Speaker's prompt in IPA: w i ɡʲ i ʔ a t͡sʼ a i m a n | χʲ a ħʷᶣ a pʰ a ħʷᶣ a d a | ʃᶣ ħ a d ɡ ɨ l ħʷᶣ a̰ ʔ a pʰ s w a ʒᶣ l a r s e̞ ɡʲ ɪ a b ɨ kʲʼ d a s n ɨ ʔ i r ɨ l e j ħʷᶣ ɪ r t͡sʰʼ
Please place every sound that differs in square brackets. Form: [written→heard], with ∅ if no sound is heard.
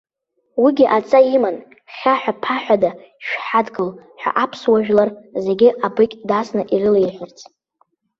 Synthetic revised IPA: w i ɡʲ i ʔ a t͡sʼ a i m a n | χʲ a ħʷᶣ a pʰ a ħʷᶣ a d a | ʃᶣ ħ a d ɡ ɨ l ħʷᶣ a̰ ʔ a pʰ s w a ʒᶣ l a r [s→z] e̞ ɡʲ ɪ a b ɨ kʲʼ d a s n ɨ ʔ i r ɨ l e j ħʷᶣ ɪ r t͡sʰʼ